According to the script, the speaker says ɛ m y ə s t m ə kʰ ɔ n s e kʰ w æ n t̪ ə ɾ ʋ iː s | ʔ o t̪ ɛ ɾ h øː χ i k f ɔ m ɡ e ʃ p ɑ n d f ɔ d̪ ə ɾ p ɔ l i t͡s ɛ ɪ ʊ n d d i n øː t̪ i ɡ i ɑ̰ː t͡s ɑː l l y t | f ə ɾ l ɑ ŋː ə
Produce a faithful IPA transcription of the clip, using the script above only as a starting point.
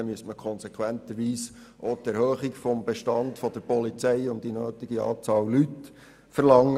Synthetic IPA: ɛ m y ə s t m ə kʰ ɔ n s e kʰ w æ n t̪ ə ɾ ʋ iː s | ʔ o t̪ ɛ ɾ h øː χ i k f ɔ m b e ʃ t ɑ n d f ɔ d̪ ə ɾ p ɔ l i t͡s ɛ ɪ ʊ n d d i n øː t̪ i ɡ i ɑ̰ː t͡s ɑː l l y t | f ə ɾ l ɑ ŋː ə